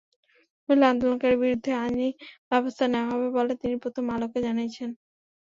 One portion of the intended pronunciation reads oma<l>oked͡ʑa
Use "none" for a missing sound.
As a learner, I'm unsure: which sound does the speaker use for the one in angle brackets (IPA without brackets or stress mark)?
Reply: l